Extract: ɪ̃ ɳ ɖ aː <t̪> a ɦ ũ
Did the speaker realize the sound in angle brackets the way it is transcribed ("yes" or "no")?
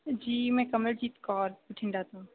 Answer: yes